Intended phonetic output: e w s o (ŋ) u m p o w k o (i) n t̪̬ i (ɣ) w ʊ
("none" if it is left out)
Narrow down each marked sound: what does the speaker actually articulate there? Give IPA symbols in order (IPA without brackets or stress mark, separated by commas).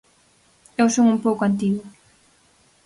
ŋ, a, ɣ